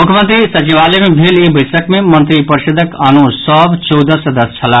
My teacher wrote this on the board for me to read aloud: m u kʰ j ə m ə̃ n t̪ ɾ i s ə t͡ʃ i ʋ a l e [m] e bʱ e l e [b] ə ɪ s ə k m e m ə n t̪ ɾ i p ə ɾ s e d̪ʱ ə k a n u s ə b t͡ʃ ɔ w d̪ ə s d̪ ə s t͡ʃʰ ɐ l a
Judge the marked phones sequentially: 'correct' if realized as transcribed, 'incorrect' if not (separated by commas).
correct, correct